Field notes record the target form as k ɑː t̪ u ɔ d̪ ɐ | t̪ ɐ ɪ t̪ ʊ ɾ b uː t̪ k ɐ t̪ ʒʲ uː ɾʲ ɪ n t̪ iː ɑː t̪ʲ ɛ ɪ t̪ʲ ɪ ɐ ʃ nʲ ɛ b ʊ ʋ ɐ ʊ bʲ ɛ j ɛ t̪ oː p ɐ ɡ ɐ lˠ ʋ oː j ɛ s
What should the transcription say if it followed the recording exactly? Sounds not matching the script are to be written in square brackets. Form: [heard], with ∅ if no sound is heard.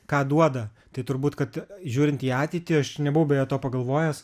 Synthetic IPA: k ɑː [d̪] u ɔ d̪ ɐ | t̪ ɐ ɪ t̪ ʊ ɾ b uː t̪ k ɐ t̪ ʒʲ uː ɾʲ ɪ n t̪ iː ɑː t̪ʲ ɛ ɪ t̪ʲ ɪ ɐ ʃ nʲ ɛ b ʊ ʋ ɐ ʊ bʲ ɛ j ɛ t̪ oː p ɐ ɡ ɐ lˠ ʋ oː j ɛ s